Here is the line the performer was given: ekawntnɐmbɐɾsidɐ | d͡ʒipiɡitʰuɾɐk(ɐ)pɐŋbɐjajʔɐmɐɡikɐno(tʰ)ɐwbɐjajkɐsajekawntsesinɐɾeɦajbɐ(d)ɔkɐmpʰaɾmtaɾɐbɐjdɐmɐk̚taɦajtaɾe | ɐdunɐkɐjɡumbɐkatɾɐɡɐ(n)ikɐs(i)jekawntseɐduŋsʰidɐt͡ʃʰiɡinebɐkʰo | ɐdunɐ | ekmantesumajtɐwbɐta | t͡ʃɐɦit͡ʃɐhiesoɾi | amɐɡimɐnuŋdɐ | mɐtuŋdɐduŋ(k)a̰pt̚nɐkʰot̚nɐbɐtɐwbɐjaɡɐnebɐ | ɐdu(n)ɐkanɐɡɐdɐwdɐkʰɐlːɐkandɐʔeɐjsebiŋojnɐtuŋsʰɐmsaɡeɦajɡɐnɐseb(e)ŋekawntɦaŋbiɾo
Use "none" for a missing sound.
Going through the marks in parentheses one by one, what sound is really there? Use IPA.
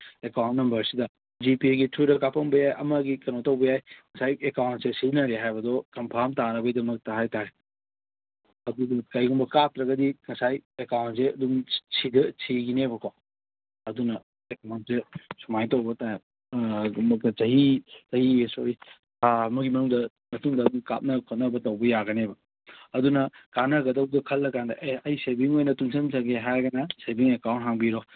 a, t, d, d, a, k, n, i

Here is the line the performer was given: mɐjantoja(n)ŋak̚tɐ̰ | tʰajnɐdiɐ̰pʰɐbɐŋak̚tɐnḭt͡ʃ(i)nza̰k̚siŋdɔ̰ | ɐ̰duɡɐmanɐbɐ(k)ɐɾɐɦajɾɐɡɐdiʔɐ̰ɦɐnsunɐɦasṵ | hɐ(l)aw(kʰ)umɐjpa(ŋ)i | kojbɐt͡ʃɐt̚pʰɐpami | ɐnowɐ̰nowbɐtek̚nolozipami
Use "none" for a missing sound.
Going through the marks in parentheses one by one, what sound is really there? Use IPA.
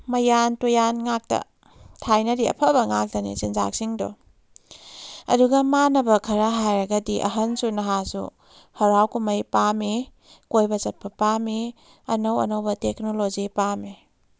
n, i, kʰ, ɾ, k, m

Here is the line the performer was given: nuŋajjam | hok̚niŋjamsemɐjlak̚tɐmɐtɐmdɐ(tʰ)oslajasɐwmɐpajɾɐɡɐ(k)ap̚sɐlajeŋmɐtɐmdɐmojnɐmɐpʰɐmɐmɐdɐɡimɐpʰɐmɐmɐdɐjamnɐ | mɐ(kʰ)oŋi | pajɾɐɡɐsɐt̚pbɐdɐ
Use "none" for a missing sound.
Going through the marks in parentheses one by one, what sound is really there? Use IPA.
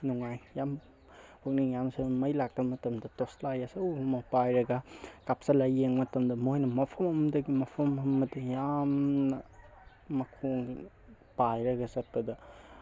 t, k, kʰ

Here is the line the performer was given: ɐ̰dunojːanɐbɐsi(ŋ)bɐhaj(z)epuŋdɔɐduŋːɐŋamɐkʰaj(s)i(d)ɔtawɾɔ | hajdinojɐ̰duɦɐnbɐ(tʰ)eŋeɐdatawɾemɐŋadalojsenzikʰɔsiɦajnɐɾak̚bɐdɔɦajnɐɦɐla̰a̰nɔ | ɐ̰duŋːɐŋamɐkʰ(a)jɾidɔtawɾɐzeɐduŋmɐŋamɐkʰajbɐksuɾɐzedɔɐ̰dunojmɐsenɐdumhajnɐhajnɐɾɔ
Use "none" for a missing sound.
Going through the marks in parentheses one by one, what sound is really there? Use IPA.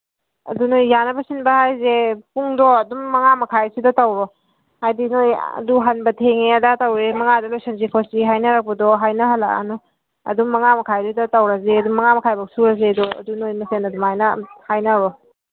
n, z, s, d, tʰ, a

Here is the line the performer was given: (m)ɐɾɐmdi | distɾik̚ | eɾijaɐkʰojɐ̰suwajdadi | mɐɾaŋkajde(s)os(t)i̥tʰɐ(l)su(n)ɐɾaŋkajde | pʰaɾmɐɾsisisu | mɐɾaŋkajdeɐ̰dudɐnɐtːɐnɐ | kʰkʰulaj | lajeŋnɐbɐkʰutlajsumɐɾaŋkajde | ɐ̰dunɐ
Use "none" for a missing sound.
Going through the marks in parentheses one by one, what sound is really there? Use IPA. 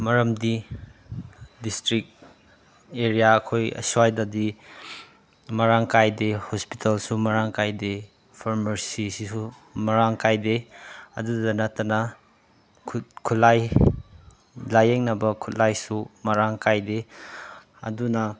m, h, p, l, m

